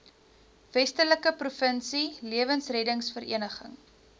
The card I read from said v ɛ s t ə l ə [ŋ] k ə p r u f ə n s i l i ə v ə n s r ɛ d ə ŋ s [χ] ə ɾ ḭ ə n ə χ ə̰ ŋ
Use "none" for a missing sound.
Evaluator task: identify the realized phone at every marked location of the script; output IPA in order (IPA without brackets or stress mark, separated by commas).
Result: none, f